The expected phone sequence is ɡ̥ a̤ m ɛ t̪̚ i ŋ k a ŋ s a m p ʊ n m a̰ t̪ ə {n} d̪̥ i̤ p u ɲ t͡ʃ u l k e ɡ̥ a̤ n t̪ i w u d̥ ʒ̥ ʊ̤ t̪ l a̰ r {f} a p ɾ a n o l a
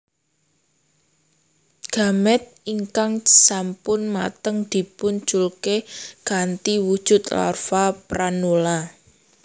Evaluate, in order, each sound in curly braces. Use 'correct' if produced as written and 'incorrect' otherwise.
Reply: incorrect: ŋ, correct

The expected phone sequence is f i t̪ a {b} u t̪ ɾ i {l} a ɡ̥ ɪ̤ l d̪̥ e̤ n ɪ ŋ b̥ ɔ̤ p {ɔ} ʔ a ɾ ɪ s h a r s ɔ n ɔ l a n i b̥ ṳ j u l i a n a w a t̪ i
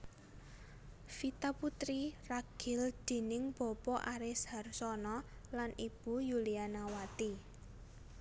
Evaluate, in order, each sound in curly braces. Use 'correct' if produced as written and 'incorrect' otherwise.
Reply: incorrect: p, incorrect: r, correct

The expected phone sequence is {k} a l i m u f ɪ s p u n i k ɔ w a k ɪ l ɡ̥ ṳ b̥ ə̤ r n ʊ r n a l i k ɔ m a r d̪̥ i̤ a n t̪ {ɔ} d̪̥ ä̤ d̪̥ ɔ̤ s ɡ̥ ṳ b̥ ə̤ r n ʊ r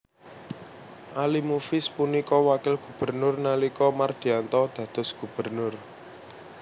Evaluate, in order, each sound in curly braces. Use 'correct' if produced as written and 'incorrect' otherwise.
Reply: incorrect: ʔ, correct

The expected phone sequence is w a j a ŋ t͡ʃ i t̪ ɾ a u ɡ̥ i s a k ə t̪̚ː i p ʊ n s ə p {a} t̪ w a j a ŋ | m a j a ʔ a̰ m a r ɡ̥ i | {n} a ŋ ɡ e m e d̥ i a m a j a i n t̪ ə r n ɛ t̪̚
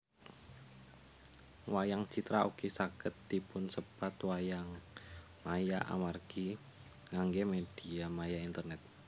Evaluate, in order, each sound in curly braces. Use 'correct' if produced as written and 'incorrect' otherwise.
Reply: correct, incorrect: ŋ

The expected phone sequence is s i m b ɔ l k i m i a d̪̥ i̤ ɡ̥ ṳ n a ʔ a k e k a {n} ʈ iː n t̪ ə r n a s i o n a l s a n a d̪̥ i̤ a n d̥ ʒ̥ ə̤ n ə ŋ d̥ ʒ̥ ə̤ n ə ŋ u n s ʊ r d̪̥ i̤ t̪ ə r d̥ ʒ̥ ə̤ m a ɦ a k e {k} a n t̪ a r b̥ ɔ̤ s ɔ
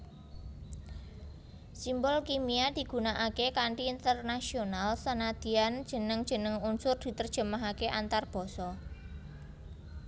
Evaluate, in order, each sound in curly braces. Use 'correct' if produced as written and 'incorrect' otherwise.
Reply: incorrect: ɳ, incorrect: ʔ

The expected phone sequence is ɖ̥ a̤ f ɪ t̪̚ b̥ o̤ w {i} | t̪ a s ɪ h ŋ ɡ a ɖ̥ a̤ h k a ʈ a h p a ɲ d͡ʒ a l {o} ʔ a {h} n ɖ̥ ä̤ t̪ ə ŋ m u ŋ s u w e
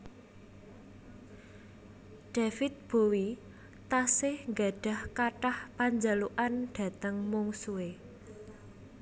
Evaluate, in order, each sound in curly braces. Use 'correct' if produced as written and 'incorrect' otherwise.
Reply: correct, incorrect: u, incorrect: none

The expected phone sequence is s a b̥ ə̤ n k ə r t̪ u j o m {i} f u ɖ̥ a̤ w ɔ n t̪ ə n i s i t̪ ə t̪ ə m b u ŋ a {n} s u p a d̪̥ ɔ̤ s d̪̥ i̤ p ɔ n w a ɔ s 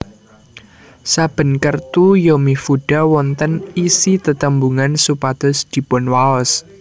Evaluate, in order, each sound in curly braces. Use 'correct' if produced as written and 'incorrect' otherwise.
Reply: correct, correct

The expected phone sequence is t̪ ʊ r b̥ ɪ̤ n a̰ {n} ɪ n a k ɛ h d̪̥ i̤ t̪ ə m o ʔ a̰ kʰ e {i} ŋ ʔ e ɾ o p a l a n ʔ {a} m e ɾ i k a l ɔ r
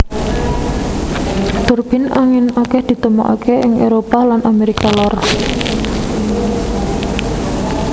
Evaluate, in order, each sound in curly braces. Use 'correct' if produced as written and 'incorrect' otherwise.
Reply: incorrect: ŋ, incorrect: ɪ, correct

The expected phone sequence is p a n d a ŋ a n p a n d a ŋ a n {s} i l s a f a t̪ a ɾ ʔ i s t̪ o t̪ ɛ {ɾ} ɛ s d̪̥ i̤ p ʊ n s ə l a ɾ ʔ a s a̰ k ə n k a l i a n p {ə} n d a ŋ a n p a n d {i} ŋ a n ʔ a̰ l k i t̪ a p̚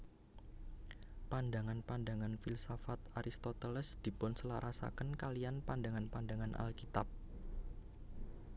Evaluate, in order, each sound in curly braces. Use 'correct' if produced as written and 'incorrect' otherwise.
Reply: incorrect: f, incorrect: l, incorrect: a, incorrect: a

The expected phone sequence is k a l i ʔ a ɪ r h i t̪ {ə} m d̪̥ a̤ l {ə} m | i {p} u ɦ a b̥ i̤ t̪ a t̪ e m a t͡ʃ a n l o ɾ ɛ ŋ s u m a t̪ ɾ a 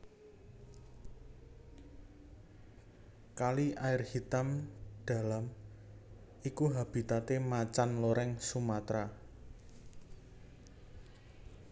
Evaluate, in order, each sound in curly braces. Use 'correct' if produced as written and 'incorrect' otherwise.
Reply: incorrect: a, incorrect: a, incorrect: k

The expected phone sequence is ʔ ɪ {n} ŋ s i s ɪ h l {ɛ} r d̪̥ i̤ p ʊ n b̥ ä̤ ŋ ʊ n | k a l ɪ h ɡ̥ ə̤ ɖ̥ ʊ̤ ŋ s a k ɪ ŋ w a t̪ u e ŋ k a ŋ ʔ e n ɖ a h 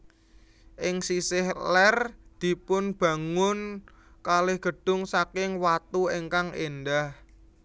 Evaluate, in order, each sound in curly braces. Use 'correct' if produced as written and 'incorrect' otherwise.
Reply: incorrect: none, correct

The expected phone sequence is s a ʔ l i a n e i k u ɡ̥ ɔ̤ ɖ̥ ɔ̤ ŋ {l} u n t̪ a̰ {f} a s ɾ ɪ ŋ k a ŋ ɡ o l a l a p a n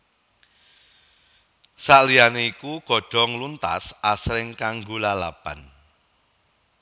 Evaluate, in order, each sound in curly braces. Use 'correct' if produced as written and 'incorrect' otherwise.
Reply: correct, incorrect: s

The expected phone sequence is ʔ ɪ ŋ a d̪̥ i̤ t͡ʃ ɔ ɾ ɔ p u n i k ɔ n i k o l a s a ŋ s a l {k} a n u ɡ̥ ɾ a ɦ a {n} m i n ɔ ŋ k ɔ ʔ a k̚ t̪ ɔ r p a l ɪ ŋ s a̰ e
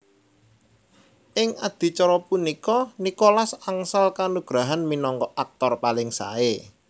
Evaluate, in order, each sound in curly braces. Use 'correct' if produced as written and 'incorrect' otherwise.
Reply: correct, correct

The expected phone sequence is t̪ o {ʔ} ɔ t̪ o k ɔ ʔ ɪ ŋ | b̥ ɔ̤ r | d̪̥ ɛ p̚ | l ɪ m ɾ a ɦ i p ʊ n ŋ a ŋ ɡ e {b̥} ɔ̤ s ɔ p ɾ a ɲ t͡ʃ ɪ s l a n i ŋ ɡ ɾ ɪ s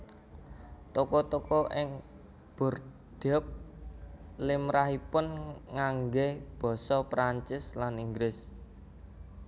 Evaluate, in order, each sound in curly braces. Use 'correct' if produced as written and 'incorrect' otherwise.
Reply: incorrect: k, correct

